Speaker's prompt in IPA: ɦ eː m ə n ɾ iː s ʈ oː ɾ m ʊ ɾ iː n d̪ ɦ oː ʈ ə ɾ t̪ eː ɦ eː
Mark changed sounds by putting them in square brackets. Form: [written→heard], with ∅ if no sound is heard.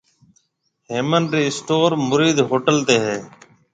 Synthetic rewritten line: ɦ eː m ə n ɾ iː s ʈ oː ɾ m ʊ ɾ iː [n→∅] d̪ ɦ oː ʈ ə [ɾ→l] t̪ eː ɦ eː